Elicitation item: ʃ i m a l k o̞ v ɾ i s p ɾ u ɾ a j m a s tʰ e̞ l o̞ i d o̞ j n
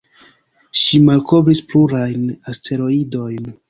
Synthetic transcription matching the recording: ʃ i m a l k o̞ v ɾ i s p l u ɾ a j n a s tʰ e̞ ɾ o̞ i d o̞ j n